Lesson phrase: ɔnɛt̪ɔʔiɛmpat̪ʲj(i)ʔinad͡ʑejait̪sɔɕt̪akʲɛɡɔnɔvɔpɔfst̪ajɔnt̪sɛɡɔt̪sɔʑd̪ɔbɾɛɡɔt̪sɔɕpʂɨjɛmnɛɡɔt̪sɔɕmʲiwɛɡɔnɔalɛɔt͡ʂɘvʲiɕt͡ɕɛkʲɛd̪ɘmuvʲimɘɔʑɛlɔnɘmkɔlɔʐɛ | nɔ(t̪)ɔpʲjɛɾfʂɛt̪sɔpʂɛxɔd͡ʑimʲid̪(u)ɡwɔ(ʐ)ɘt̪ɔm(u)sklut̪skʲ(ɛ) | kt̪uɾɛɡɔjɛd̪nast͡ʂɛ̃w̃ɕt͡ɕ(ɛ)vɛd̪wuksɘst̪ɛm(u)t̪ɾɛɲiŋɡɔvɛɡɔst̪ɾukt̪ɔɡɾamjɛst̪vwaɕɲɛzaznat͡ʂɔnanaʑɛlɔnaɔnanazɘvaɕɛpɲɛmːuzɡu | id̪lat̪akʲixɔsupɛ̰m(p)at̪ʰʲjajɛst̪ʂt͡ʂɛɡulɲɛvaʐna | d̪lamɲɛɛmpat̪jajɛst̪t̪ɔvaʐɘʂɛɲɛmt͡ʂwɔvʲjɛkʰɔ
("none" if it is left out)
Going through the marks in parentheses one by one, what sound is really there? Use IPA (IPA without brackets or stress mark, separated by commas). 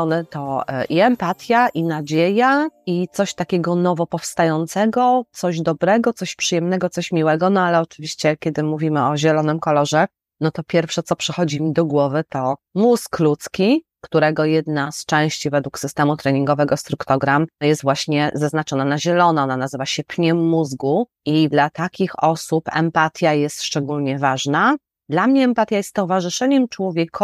a, t̪, ɔ, v, u, i, i, u, p